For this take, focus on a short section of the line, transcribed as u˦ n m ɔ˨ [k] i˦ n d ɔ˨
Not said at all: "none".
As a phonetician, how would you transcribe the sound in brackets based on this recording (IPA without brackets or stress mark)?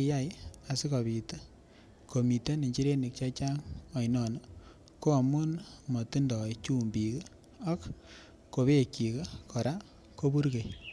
t